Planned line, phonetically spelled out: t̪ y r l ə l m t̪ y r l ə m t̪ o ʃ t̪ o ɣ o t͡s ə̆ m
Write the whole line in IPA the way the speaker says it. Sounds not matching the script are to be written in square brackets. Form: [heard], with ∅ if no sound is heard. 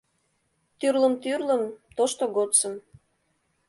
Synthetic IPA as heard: t̪ y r l ə [∅] m t̪ y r l ə m t̪ o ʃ t̪ o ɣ o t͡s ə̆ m